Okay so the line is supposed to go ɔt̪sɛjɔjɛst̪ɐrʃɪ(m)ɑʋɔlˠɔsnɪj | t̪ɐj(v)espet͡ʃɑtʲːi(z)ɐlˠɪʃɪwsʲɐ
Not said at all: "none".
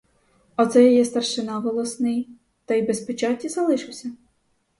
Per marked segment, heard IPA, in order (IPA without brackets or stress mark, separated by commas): n, b, z